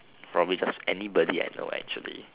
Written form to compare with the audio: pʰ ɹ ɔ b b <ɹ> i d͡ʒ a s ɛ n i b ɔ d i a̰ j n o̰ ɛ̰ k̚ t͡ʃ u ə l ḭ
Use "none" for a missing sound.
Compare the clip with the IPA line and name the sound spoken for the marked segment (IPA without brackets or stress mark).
l